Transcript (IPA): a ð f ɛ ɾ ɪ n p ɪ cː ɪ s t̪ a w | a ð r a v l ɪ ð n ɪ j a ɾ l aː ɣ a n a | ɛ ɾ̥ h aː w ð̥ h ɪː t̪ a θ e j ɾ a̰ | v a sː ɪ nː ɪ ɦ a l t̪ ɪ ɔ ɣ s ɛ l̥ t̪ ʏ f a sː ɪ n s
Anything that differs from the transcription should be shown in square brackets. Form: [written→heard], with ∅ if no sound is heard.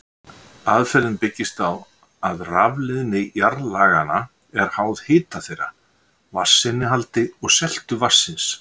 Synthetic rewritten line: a ð f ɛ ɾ ɪ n p ɪ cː ɪ s t̪ a w | a ð r a v l ɪ ð n ɪ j a ɾ l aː ɣ a n a | ɛ ɾ̥ h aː w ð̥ h ɪː t̪ a θ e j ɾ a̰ | v a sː ɪ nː ɪ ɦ a l t̪ ɪ ɔ ɣ s ɛ l̥ t̪ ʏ [f→v] a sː ɪ n s